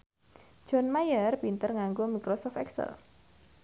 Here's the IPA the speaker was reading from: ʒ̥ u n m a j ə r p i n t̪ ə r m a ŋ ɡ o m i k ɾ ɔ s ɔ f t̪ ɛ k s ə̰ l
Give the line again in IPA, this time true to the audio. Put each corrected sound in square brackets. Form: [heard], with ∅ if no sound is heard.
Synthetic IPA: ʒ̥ [ɔ] n m a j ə r p i n t̪ ə r [ŋ] a ŋ ɡ o m i k ɾ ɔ s ɔ f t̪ ɛ k s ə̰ l